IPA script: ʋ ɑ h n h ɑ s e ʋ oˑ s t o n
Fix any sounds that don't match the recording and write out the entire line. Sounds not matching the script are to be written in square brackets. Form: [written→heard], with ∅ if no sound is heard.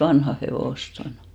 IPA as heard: ʋ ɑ [h→∅] n h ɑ [s→h] e ʋ oˑ s t o n